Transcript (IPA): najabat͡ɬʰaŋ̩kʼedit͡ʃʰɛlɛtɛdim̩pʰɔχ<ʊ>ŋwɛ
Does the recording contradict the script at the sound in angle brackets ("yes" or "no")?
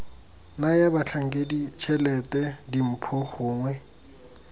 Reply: yes